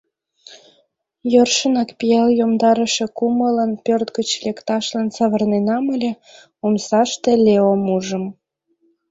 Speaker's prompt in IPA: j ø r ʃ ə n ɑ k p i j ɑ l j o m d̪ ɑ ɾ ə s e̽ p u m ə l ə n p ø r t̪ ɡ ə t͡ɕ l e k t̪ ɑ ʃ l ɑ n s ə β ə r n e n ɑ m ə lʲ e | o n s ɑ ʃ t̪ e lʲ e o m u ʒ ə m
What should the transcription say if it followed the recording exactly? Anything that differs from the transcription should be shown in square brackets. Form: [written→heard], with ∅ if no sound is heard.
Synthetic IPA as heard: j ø r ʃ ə n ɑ k p i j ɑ l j o m d̪ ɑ ɾ ə [s→ʃ] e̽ [p→k] u m ə l ə n p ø r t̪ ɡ ə t͡ɕ l e k t̪ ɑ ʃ l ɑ n s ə β ə r n e n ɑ m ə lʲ e | o [n→m] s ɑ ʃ t̪ e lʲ e o m u ʒ ə m

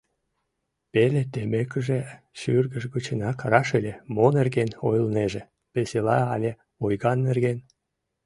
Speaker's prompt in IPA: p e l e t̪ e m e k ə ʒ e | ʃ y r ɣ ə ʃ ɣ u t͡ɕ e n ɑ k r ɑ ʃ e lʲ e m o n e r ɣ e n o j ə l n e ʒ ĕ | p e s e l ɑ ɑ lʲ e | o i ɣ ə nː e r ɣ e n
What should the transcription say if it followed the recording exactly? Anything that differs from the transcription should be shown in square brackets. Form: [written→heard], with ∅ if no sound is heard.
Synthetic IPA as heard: p e l e t̪ e m e k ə ʒ e | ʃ y r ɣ ə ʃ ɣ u t͡ɕ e n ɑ k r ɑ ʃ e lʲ e m o n e r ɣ e n o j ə l n e ʒ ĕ | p e s e l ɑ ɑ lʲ e | o [i→j] ɣ [ə→ɑ] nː e r ɣ e n

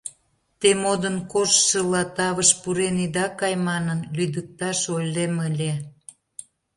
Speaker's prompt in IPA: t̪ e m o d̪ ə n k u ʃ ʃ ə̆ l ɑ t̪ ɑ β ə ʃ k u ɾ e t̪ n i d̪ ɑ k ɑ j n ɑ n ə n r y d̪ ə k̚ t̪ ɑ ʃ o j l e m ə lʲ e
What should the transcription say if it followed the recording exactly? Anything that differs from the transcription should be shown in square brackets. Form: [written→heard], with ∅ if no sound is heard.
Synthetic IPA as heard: t̪ e m o d̪ ə n k [u→o] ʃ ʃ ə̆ l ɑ t̪ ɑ β ə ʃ [k→p] u ɾ e [t̪→∅] n i d̪ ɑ k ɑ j [n→m] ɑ n ə n [r→l] y d̪ ə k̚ t̪ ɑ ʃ o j l e m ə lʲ e

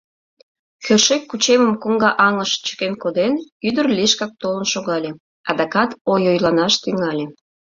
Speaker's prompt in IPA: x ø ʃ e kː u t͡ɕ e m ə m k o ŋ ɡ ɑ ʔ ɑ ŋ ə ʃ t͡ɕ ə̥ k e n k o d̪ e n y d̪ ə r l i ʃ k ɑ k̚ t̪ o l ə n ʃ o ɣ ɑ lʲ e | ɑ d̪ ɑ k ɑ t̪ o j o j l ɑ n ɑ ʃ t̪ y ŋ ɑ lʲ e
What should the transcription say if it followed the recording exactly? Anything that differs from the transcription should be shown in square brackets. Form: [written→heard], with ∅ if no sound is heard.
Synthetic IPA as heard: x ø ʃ e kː u t͡ɕ e m ə m k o ŋ ɡ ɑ ʔ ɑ ŋ ə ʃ t͡ɕ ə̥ k e n k o d̪ e n y d̪ ə r l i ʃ k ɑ k̚ t̪ o l ə n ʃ o ɣ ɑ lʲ e | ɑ d̪ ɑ k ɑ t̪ o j o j l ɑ n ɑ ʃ t̪ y ŋ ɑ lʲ e

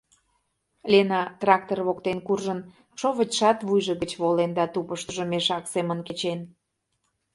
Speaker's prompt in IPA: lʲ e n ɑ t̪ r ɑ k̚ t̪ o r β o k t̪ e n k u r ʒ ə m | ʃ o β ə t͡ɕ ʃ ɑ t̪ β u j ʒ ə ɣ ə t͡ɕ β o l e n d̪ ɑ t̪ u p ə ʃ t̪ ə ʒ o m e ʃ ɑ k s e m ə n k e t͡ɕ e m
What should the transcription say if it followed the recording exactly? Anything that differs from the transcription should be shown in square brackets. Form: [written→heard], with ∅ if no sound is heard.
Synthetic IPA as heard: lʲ e n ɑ t̪ r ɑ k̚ t̪ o r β o k t̪ e n k u r ʒ ə [m→n] | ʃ o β ə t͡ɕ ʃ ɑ t̪ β u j ʒ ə ɣ ə t͡ɕ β o l e n d̪ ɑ t̪ u p ə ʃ t̪ ə ʒ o m e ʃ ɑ k s e m ə n k e t͡ɕ e [m→n]

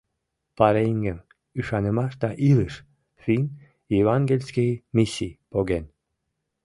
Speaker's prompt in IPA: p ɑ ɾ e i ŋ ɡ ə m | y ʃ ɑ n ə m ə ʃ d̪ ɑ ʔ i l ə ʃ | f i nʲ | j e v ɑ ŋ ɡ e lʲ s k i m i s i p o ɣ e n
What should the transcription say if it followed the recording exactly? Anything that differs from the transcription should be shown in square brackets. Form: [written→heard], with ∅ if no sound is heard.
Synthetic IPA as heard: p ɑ ɾ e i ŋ ɡ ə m | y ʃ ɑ n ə m [ə→ɑ] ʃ d̪ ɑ ʔ i l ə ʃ | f i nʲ | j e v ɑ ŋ ɡ e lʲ s k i m i s i p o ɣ e n

